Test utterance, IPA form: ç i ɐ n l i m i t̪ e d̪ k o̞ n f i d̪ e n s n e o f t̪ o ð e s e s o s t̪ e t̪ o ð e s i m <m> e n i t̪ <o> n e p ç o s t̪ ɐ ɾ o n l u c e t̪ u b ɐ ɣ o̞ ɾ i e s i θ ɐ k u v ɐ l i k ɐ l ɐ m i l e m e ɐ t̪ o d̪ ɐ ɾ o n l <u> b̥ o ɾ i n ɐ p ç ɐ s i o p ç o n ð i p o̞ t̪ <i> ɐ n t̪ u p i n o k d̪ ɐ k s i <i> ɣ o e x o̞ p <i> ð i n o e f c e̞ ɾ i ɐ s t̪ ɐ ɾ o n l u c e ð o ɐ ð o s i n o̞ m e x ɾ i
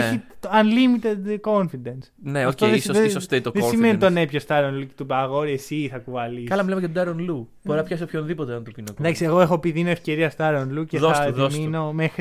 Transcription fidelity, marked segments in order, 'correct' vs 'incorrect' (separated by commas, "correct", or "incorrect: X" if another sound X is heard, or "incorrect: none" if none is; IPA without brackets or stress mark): correct, correct, correct, incorrect: e, incorrect: e, correct